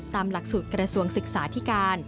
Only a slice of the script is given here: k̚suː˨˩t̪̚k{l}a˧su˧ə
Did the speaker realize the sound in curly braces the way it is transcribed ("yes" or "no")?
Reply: no